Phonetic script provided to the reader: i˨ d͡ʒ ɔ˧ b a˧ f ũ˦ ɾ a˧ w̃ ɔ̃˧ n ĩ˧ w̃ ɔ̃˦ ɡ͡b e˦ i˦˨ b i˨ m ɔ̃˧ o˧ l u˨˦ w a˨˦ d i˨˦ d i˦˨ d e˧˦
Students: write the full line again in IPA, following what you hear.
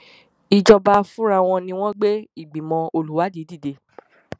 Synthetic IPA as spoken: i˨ d͡ʒ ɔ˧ b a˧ f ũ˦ ɾ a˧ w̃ ɔ̃˧ n ĩ˧ w̃ ɔ̃˦ ɡ͡b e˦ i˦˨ ɡ͡b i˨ m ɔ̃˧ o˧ l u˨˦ w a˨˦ d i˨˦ d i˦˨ d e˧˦